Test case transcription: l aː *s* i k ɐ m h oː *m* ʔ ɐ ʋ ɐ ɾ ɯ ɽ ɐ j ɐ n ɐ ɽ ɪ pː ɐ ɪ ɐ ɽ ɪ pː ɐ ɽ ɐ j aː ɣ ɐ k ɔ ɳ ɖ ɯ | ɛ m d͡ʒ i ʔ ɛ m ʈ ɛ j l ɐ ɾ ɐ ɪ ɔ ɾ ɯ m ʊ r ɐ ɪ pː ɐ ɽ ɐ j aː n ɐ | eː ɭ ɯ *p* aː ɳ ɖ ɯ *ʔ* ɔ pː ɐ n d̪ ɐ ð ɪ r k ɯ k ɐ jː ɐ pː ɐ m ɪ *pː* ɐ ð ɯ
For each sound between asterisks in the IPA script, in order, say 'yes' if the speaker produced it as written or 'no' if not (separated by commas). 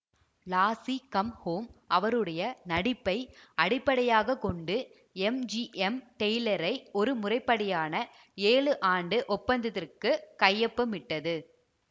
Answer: yes, yes, no, yes, no